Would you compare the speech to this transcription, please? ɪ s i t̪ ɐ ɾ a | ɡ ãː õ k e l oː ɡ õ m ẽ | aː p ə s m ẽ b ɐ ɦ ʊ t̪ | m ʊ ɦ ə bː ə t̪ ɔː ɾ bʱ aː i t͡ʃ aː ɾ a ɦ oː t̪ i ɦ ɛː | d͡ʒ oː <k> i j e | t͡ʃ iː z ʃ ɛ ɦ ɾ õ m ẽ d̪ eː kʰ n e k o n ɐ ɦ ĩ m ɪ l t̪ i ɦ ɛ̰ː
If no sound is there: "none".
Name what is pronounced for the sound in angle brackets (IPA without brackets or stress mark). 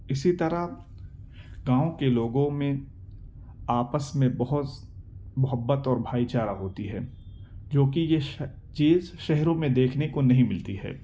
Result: k